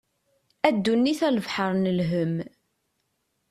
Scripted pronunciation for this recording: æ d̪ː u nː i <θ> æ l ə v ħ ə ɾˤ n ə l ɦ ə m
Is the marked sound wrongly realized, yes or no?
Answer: no